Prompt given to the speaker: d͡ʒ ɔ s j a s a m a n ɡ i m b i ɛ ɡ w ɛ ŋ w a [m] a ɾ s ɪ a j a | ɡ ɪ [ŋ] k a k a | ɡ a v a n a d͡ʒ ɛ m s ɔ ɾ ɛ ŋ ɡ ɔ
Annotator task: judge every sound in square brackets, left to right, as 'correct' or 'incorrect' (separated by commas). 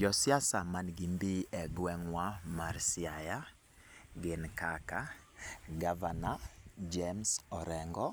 correct, incorrect